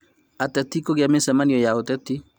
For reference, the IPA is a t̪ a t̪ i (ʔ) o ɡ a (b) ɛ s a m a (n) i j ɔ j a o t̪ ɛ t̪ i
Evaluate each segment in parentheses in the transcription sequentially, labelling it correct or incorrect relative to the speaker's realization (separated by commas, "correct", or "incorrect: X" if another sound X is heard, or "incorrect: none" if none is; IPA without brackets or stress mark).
incorrect: k, incorrect: m, correct